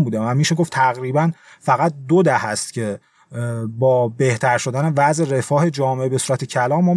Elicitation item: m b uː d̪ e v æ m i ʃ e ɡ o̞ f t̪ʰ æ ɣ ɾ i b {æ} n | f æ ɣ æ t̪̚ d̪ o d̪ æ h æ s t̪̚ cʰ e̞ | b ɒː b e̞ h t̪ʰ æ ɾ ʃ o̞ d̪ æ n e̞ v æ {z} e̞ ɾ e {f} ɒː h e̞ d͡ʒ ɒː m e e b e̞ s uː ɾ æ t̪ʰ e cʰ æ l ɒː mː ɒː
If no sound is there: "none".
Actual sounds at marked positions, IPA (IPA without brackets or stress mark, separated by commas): æ, z, f